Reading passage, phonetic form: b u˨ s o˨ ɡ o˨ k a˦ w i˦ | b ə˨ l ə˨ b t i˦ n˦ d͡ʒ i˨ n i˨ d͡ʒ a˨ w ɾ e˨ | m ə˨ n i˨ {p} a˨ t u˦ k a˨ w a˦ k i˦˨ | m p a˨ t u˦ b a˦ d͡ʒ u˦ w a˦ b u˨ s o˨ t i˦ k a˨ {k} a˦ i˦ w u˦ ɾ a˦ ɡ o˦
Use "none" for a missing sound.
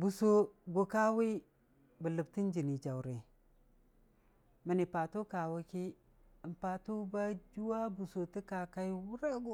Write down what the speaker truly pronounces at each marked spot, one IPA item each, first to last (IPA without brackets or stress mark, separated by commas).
p, k